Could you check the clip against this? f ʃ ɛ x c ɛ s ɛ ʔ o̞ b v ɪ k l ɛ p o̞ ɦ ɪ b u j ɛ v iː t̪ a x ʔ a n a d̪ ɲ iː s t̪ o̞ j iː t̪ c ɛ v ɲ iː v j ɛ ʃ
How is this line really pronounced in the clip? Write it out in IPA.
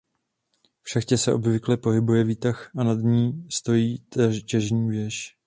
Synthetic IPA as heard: f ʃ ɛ x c ɛ s ɛ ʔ o̞ b v ɪ k l ɛ p o̞ ɦ ɪ b u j ɛ v iː t̪ a x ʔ a n a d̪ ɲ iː s t̪ o̞ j iː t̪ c ɛ ʒ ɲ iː v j ɛ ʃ